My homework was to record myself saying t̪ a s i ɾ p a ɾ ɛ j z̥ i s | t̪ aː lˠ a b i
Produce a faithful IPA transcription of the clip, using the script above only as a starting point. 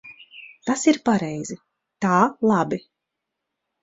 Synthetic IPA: t̪ a s i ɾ p a ɾ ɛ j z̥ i | t̪ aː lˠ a b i